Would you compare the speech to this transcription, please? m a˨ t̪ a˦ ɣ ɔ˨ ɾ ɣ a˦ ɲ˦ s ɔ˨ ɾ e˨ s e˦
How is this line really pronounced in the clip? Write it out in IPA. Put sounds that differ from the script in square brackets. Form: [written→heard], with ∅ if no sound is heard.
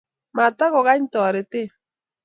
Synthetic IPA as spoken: m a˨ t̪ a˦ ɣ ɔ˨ [ɾ→∅] ɣ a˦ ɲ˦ [s→t] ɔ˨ ɾ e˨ [s→t] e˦